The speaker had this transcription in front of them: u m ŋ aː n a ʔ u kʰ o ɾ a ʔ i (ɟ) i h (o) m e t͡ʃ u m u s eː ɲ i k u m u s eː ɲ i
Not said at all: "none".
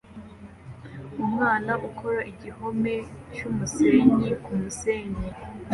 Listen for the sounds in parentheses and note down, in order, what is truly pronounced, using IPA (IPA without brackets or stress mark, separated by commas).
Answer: ɟ, o